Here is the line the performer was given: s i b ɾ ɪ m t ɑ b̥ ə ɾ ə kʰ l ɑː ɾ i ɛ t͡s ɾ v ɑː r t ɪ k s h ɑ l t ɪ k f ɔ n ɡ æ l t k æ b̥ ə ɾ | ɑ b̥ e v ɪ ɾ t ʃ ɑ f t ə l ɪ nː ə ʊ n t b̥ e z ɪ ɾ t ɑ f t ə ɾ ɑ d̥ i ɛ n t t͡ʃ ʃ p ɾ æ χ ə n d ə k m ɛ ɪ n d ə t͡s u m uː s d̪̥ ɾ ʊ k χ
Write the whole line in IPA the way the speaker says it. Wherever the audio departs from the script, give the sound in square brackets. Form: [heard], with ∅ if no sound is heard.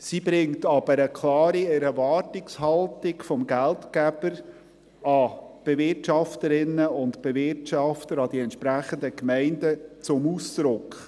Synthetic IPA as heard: s i b ɾ ɪ [ŋ] t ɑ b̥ ə ɾ ə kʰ l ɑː ɾ i ɛ [∅] ɾ v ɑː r t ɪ k s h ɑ l t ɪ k f ɔ [m] ɡ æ l t k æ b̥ ə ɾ | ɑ b̥ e v ɪ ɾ t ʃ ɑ f t ə [ɾ] ɪ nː ə ʊ n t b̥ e [v] ɪ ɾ t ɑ f t ə ɾ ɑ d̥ i ɛ n t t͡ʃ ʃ p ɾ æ χ ə n d ə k m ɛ ɪ n d ə t͡s [ʊ] m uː s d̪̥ ɾ ʊ k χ